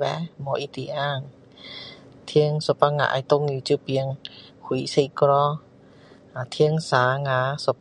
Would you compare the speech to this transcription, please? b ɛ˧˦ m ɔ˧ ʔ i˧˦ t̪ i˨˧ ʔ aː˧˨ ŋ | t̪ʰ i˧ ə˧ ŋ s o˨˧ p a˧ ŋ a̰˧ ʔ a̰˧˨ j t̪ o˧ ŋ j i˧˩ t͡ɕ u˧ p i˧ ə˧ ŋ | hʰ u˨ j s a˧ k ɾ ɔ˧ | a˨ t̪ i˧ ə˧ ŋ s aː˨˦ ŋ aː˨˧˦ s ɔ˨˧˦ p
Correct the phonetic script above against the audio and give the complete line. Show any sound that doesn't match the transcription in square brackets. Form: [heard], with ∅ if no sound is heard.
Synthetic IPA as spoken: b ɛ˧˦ m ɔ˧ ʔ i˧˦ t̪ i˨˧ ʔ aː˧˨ ŋ | t̪ʰ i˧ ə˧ ŋ s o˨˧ p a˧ ŋ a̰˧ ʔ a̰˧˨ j t̪ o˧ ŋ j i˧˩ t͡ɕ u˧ p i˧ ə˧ ŋ | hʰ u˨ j s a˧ k ɾ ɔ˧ | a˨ [t̪ʰ] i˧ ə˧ ŋ s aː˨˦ ŋ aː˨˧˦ s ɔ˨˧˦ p